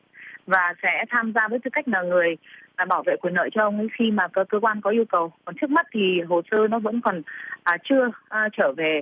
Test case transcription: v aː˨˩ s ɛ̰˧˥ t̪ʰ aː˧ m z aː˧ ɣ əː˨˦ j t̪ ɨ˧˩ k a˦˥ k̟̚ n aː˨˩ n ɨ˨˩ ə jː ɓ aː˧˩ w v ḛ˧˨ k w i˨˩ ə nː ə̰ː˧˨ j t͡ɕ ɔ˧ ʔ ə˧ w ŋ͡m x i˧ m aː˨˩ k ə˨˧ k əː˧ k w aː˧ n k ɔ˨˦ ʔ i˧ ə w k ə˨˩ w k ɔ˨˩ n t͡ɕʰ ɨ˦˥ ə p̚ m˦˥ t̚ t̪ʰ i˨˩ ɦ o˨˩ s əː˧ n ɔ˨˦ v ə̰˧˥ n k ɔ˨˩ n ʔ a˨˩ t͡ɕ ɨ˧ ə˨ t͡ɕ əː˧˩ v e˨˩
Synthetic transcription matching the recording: v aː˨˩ s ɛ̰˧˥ t̪ʰ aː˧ m z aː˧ v əː˨˦ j t̪ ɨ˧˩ k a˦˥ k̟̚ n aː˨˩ ŋ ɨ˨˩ ə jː ɓ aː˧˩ w v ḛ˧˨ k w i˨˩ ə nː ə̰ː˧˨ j t͡ɕ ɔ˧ ʔ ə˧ w ŋ͡m x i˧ m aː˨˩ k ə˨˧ k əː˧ k w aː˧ n k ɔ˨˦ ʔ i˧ ə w k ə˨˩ w k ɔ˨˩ n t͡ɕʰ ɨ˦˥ ə k̚ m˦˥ t̚ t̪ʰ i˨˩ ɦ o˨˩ s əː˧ n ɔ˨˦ v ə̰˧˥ n k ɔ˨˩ n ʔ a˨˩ t͡ɕ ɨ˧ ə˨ t͡ɕ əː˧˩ v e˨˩